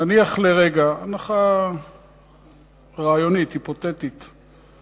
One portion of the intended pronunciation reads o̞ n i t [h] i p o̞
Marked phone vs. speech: correct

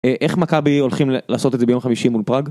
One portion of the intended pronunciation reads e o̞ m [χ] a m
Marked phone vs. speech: correct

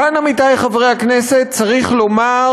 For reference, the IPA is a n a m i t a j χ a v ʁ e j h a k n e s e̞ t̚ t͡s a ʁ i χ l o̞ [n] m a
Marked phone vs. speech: incorrect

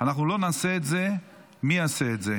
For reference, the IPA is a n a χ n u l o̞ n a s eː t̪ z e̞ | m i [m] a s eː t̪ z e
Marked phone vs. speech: incorrect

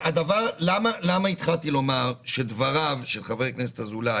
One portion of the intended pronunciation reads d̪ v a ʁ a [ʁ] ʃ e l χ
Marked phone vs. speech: incorrect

